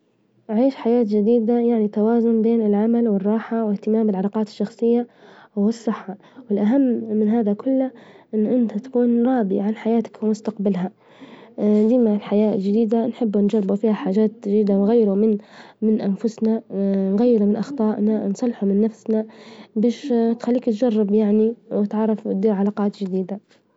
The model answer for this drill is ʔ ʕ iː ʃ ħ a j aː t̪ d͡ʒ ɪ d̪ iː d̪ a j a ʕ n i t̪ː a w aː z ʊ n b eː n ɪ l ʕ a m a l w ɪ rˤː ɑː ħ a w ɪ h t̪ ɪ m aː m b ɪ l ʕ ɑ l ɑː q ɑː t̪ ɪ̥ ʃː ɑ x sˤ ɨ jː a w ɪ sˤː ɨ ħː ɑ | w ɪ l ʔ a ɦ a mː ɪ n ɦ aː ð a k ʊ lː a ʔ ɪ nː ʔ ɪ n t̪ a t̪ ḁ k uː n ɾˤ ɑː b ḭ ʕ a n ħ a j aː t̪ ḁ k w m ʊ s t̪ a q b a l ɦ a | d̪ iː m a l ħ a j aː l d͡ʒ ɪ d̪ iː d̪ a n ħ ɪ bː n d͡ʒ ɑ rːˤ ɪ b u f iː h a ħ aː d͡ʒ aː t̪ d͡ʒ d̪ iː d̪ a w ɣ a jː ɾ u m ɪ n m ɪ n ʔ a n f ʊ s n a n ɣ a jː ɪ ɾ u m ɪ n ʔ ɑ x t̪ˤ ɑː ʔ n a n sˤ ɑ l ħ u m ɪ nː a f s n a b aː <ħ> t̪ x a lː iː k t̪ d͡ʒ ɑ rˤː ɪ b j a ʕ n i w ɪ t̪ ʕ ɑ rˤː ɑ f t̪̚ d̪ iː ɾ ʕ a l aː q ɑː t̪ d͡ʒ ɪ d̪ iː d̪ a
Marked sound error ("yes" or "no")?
yes